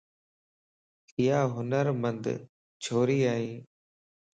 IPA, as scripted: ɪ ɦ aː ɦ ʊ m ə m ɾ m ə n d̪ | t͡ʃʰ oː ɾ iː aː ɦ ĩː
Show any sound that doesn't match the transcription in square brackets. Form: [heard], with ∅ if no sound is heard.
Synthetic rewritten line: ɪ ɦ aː ɦ ʊ [n] ə [∅] ɾ m ə n d̪ | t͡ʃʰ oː ɾ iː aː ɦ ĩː